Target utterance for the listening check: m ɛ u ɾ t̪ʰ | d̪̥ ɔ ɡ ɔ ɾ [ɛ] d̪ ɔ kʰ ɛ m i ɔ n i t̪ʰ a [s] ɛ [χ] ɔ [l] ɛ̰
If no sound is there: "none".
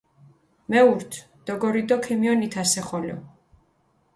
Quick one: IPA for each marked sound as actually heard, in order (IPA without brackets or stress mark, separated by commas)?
i, s, χ, l